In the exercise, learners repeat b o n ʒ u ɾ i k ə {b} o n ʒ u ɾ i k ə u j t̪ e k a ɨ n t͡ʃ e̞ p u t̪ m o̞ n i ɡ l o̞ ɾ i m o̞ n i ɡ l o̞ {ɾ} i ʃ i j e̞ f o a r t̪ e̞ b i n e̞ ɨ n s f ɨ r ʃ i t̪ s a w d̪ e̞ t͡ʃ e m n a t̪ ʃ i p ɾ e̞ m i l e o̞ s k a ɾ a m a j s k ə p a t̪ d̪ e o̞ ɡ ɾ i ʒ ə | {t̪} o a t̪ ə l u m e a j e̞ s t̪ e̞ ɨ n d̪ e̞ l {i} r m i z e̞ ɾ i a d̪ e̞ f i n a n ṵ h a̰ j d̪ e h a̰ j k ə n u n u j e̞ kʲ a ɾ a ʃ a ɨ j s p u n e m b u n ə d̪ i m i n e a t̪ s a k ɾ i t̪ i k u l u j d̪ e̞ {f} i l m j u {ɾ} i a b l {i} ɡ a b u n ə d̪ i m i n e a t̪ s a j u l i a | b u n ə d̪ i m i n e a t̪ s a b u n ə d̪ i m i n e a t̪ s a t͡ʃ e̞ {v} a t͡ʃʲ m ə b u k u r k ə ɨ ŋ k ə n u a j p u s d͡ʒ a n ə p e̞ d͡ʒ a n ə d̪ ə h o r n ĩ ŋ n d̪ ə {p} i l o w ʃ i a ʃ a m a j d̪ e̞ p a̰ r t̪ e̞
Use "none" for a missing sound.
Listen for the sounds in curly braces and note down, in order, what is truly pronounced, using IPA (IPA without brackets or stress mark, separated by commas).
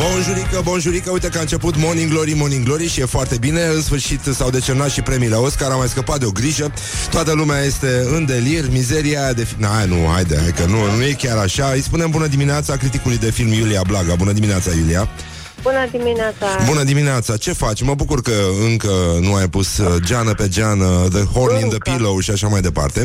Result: b, ɾ, t̪, i, f, l, a, f, p